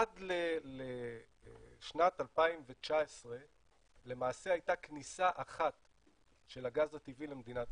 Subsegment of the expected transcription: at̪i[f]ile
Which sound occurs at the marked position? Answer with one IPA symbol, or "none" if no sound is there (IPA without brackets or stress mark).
v